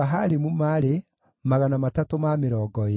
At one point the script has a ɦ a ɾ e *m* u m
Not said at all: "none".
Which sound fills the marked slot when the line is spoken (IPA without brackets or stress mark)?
m